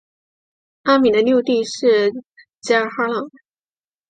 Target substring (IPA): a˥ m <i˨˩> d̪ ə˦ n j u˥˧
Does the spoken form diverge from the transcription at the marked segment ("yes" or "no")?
no